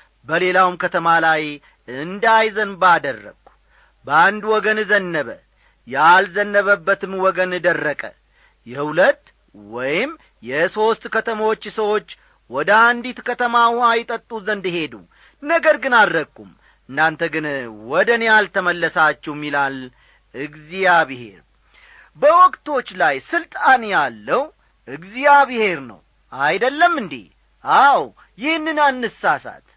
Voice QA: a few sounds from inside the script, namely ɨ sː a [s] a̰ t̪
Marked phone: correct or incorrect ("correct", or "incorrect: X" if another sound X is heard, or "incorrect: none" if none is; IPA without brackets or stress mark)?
correct